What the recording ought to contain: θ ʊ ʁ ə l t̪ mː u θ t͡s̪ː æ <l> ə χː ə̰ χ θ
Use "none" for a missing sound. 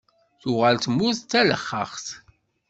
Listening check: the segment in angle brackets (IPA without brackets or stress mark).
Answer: l